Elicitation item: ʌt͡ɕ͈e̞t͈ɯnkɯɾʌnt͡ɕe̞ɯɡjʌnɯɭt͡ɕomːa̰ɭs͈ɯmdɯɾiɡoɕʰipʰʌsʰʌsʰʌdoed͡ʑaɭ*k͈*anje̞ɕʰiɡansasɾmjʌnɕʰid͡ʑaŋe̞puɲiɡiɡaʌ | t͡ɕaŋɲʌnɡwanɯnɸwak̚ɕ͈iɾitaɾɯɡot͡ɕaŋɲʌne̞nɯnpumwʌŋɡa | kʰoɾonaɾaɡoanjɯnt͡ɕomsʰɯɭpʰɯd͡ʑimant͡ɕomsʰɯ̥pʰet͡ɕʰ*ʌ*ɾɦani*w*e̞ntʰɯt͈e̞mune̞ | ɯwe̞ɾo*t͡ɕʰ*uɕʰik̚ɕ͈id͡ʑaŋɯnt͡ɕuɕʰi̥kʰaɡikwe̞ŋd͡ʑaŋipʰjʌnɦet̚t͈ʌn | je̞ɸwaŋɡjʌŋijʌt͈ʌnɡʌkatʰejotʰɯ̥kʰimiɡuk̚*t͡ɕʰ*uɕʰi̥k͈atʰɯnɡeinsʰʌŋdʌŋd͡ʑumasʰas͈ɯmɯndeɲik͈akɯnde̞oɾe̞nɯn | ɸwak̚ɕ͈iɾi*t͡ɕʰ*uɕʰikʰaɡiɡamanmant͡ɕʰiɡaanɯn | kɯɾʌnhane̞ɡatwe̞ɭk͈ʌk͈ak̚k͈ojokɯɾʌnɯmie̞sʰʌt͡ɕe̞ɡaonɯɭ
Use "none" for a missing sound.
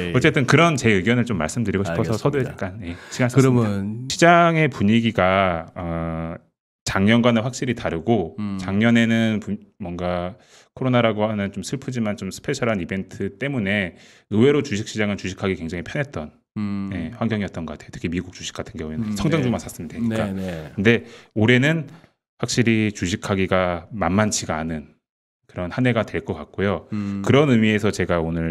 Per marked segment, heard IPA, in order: k͈, ʌ, b, t͡ɕ, t͡ɕ, t͡ɕ

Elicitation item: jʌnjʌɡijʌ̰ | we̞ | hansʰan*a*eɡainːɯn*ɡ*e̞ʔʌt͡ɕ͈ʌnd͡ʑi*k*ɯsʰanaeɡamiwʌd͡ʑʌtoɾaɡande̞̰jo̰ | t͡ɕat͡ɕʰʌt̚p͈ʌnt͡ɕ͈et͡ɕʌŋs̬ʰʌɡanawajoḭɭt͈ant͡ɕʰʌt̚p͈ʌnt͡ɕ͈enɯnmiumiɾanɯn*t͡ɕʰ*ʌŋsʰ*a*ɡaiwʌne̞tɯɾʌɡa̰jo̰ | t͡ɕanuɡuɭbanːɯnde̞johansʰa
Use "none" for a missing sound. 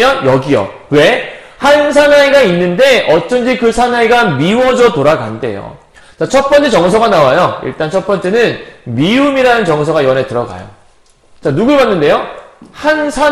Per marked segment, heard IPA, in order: a, d, k, t͡ɕ, ʌ

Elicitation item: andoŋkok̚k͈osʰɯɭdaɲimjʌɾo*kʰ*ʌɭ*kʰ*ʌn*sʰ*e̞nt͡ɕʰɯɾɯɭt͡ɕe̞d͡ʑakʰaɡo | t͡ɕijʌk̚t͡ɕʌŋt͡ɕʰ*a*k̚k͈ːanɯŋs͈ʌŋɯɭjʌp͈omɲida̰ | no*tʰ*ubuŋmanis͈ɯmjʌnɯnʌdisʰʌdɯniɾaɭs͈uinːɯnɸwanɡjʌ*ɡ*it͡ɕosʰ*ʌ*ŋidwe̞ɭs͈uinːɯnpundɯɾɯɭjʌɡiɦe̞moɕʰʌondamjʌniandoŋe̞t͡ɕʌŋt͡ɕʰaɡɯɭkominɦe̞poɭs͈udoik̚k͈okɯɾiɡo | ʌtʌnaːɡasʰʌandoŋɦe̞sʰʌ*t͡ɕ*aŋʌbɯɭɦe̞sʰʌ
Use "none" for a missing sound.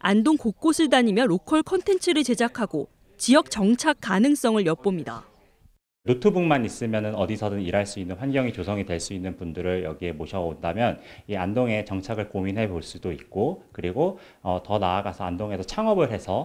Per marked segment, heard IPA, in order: kʰ, kʰ, tʰ, a, tʰ, ŋ, ʌ, t͡ɕʰ

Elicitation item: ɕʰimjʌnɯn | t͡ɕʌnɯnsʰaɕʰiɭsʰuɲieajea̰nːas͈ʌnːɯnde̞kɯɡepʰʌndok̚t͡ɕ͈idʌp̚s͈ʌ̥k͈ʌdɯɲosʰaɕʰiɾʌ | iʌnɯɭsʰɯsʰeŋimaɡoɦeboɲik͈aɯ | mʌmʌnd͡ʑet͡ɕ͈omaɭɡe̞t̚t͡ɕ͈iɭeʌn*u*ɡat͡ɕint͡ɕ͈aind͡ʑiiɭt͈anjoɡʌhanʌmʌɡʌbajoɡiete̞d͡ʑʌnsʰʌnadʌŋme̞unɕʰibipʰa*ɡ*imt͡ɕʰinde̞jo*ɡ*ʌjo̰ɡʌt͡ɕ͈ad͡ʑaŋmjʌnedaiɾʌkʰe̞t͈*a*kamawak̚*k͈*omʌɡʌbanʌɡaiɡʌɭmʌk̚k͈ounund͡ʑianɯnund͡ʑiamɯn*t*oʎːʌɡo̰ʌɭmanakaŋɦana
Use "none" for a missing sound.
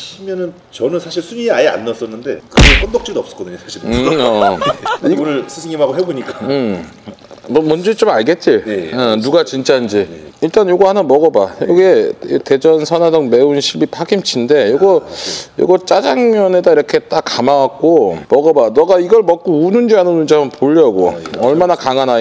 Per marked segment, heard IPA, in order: u, ɡ, ɡ, a, k͈, p

